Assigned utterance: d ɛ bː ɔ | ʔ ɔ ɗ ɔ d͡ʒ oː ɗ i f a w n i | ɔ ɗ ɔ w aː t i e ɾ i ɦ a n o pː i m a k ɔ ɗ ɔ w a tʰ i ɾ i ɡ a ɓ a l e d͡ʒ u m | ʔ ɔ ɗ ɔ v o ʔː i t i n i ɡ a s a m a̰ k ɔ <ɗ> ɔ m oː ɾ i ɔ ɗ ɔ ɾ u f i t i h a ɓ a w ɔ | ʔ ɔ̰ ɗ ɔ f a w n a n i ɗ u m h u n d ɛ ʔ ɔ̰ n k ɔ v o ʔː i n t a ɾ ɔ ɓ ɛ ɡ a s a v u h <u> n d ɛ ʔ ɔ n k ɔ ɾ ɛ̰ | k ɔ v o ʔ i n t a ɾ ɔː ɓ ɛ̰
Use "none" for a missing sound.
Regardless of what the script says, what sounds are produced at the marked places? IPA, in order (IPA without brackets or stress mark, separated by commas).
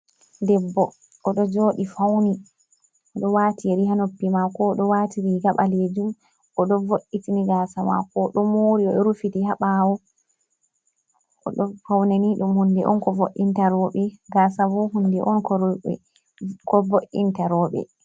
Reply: ɗ, u